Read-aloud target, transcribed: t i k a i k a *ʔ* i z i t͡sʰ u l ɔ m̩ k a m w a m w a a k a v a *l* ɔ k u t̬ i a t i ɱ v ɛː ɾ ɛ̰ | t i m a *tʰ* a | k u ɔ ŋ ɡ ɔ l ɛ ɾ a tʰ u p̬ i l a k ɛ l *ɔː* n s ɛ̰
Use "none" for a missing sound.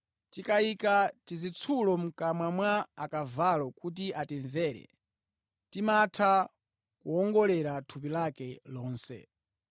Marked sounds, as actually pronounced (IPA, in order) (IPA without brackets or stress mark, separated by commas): t, l, tʰ, ɔː